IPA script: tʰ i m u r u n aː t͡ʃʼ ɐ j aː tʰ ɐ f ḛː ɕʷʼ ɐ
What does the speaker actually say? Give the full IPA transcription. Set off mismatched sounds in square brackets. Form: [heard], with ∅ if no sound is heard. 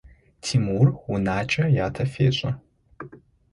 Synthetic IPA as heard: tʰ i m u r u n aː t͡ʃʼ ɐ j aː tʰ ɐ f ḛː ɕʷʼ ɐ

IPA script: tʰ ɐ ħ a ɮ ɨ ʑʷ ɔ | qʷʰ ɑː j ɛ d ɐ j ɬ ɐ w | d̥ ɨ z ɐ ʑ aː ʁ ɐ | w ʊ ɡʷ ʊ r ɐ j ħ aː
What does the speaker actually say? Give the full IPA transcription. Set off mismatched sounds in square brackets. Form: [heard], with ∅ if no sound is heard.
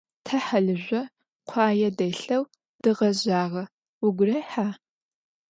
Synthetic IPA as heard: tʰ ɐ ħ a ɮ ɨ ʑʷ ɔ | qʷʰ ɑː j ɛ d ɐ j ɬ ɐ w | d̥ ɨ [ʁ] ɐ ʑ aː ʁ ɐ | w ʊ ɡʷ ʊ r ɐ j ħ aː

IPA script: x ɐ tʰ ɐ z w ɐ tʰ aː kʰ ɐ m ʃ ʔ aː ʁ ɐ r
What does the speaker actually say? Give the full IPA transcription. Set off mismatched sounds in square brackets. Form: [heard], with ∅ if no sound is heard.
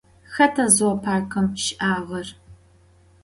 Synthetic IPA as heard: x ɐ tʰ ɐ z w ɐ [pʰ] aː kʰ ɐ m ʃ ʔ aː ʁ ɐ r

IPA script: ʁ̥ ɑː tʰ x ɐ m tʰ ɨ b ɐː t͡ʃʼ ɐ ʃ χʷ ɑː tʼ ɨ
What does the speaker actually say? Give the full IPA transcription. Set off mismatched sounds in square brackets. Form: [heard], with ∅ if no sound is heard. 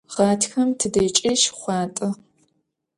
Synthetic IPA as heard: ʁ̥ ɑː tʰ x ɐ m tʰ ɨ [d] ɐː t͡ʃʼ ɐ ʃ χʷ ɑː tʼ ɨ

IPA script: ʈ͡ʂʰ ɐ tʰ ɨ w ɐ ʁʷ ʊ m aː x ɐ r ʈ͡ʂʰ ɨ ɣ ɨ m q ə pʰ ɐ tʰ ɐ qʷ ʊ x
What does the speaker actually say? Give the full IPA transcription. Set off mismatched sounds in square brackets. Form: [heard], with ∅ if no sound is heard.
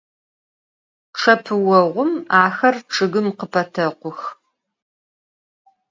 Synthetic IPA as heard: ʈ͡ʂʰ ɐ [pʰ] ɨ w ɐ ʁʷ ʊ m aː x ɐ r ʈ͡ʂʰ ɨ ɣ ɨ m q ə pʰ ɐ tʰ ɐ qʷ ʊ x

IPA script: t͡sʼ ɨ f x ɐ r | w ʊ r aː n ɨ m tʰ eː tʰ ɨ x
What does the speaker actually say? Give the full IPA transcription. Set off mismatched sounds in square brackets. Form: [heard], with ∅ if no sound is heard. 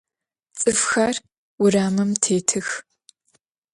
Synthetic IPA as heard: t͡sʼ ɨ f x ɐ r | w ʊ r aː [m] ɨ m tʰ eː tʰ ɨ x

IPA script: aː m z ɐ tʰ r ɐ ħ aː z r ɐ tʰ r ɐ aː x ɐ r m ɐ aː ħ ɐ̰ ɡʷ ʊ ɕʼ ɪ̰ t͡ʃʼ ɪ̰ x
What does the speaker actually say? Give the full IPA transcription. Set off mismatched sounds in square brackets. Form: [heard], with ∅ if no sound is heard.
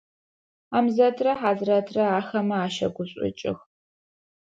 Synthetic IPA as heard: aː m z ɐ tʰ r ɐ ħ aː z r ɐ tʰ r ɐ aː x ɐ [∅] m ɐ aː [ʃ] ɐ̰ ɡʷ ʊ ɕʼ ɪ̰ t͡ʃʼ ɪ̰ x

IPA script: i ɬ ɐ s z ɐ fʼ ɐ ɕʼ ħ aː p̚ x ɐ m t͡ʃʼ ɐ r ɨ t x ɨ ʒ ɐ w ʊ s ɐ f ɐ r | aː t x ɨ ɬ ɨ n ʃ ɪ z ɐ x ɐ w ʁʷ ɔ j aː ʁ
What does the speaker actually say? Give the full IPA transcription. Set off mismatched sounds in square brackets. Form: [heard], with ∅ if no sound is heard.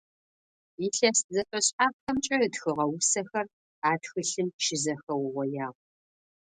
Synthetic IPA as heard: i ɬ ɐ s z ɐ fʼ ɐ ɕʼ ħ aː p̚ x ɐ m t͡ʃʼ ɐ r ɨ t x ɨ [ʁ] ɐ w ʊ s ɐ [x] ɐ r | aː t x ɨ ɬ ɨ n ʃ ɪ z ɐ x ɐ w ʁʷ ɔ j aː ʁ

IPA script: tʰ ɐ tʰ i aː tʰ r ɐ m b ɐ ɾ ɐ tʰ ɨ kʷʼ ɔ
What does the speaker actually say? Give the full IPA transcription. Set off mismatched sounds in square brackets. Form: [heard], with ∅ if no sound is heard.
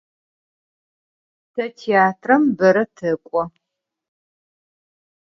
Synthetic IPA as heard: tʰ ɐ tʰ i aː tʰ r ɐ m b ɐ ɾ ɐ tʰ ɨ kʷʼ ɔ

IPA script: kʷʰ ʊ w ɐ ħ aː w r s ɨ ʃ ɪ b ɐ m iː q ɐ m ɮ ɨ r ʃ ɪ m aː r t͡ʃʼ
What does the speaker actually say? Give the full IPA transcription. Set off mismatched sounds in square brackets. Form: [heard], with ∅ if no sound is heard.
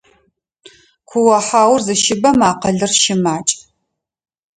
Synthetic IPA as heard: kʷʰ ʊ w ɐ ħ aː w r [z] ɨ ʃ ɪ b ɐ m [aː] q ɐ [∅] ɮ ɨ r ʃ ɪ m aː [∅] t͡ʃʼ

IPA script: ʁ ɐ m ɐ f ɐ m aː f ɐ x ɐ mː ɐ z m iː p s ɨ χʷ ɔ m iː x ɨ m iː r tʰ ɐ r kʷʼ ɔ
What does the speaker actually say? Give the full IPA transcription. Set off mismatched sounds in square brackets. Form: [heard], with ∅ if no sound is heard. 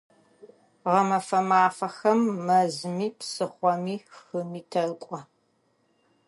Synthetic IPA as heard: ʁ ɐ m ɐ f ɐ m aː f ɐ x ɐ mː ɐ z m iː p s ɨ χʷ ɔ m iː x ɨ m iː [∅] tʰ ɐ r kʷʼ ɔ

